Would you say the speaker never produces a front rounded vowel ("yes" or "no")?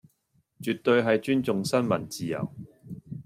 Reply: no